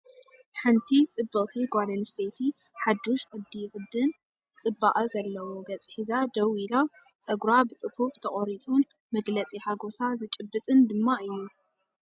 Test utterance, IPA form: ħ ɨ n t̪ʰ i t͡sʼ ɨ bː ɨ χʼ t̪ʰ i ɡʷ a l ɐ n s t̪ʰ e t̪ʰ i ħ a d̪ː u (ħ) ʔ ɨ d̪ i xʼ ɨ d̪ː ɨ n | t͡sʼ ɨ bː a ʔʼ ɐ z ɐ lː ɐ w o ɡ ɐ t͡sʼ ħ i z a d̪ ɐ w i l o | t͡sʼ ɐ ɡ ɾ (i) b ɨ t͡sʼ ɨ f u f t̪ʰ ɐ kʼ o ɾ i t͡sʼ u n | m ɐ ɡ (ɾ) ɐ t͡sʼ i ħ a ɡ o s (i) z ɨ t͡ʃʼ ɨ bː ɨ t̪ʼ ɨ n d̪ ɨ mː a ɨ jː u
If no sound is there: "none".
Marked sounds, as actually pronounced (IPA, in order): ʃ, a, l, a

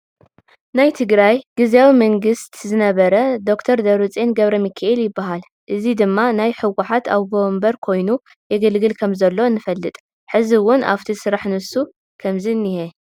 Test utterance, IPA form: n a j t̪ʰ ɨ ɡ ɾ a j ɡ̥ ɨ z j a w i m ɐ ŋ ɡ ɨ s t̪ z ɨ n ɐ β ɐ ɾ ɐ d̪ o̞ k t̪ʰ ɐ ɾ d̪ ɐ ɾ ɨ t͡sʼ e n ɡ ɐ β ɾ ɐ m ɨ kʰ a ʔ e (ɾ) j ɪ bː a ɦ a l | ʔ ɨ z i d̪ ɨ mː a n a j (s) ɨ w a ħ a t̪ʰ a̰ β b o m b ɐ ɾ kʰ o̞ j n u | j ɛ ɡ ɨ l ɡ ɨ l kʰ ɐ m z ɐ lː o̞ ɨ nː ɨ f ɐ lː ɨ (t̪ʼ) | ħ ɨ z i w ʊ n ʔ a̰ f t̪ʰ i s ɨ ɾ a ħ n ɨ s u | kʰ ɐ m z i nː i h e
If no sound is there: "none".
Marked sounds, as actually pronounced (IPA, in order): l, ħ, t̪ʼ

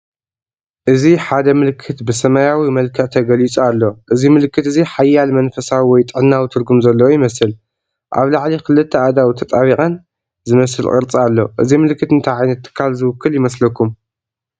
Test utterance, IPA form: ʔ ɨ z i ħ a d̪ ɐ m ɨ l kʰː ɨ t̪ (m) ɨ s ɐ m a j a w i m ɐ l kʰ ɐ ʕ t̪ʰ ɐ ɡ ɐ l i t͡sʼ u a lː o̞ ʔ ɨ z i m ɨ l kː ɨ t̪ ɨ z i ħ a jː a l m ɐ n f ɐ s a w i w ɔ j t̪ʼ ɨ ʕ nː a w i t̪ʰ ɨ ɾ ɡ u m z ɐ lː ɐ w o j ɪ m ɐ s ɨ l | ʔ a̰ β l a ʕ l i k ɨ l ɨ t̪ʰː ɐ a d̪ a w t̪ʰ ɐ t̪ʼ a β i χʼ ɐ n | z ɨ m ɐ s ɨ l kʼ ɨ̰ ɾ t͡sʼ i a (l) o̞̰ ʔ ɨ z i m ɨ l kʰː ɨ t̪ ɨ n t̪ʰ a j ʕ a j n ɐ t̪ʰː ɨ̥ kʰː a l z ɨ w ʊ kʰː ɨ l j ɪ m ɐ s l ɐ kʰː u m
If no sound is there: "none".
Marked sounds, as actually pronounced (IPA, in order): b, lː

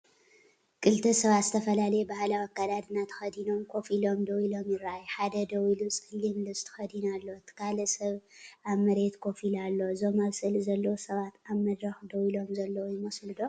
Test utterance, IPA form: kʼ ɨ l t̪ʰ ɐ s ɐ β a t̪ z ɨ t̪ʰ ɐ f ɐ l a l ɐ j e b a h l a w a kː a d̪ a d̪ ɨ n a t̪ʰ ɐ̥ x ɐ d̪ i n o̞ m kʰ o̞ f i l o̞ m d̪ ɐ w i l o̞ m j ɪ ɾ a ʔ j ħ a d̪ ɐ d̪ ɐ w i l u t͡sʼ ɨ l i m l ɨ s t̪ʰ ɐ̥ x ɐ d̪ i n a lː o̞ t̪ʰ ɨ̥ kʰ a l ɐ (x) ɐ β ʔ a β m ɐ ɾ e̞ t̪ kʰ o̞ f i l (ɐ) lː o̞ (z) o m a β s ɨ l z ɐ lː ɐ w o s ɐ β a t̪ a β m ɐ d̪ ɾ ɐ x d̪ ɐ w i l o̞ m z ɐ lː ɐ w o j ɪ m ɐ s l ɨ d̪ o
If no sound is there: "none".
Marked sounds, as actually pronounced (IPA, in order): s, a, z

